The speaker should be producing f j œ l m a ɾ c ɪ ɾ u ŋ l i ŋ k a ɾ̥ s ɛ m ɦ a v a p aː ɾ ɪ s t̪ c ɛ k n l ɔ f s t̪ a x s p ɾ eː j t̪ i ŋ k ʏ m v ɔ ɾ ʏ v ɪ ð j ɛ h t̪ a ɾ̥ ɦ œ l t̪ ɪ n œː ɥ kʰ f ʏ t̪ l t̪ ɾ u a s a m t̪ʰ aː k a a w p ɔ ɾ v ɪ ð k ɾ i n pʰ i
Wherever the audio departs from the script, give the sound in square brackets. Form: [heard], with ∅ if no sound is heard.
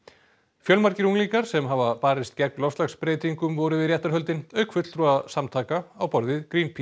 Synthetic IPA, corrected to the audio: f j œ l m a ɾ c ɪ ɾ u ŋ l i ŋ k a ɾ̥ s ɛ m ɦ a v a p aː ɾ ɪ s t̪ c ɛ k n l ɔ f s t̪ a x s p ɾ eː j t̪ i ŋ k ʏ m v ɔ ɾ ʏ v ɪ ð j ɛ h t̪ a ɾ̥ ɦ œ l t̪ ɪ n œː ɥ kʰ f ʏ t̪ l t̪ ɾ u a s a m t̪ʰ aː k a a w p ɔ ɾ [ð] ɪ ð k ɾ i n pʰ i